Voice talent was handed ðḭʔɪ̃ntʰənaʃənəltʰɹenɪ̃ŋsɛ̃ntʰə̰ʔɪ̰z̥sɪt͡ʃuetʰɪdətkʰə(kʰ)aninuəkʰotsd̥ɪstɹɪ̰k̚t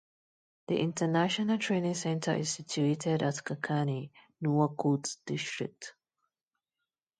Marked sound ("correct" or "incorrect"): correct